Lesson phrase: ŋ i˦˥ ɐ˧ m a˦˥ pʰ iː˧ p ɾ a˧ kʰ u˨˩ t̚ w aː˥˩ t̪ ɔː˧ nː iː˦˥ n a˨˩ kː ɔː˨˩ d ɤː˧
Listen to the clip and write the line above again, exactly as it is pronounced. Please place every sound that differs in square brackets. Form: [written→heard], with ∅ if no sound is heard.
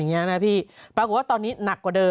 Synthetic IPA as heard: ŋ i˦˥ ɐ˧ [m→n] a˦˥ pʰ [iː˧→iː˥˩] p ɾ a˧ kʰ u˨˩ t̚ w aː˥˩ t̪ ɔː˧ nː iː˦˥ n a˨˩ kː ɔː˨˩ d ɤː˧